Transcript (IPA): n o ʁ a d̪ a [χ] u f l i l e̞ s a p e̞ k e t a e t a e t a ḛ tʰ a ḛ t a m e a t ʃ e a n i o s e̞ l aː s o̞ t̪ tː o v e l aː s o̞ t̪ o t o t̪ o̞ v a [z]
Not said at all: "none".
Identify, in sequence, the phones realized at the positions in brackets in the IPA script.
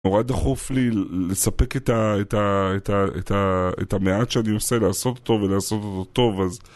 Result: χ, z

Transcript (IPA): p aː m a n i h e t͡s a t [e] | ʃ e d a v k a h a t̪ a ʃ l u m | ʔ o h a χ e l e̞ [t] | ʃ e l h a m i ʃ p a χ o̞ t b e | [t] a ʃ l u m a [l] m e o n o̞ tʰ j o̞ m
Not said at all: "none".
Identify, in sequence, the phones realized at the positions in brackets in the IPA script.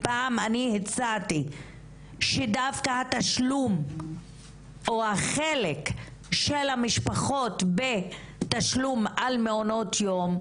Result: i, k, t, l

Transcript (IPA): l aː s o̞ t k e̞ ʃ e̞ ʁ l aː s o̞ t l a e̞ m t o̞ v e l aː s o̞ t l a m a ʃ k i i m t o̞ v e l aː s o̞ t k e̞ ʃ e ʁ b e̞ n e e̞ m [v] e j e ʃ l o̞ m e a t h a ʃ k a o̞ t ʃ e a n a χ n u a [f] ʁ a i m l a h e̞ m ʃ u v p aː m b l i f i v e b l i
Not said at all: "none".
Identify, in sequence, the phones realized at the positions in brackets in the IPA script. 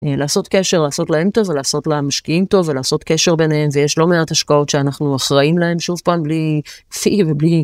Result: v, χ

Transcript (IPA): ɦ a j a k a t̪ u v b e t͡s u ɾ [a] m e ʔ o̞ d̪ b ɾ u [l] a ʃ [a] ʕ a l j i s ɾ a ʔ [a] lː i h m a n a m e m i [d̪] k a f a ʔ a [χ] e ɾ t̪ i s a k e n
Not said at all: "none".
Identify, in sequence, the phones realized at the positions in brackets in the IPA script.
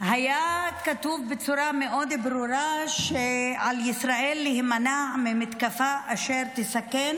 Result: a, ɾ, e, e, t̪, ʃ

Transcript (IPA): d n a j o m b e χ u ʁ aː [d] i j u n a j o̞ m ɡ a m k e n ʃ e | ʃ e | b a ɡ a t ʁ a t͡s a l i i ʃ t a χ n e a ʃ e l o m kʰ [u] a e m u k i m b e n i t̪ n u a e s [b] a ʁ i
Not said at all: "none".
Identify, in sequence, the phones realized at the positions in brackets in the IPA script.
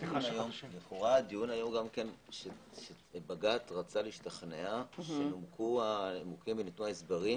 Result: d, u, b

